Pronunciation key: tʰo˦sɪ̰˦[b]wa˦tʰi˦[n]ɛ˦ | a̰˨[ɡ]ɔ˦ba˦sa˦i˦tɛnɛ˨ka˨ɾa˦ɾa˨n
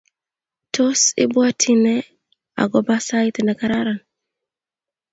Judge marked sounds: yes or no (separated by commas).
yes, yes, yes